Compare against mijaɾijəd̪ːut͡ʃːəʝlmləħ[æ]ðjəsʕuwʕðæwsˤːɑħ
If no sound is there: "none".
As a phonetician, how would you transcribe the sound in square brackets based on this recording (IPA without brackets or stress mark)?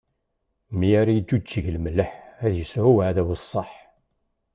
æ